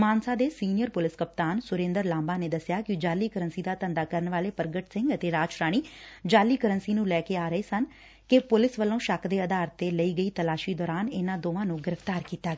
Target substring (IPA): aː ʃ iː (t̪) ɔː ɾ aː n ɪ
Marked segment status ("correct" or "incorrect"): incorrect